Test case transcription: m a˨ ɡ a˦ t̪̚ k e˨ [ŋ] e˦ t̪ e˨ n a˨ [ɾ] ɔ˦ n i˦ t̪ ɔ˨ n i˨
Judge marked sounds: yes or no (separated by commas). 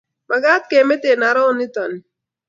no, yes